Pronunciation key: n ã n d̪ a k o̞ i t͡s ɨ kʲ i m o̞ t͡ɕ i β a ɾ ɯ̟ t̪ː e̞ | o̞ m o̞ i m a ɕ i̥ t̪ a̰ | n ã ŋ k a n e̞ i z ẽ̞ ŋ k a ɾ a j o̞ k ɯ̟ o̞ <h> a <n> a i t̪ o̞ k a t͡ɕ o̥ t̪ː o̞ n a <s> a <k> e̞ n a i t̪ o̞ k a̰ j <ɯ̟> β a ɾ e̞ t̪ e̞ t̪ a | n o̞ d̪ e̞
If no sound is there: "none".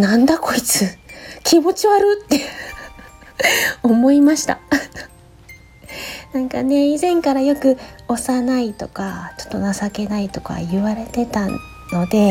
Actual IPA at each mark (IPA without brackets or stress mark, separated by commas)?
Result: s, n, s, k, ɯ̟